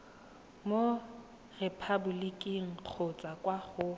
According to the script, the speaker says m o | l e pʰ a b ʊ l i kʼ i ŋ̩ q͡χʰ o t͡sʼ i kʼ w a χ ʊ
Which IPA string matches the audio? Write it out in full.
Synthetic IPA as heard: m o | r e pʰ a b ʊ l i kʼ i ŋ̩ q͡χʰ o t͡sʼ a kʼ w a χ ʊ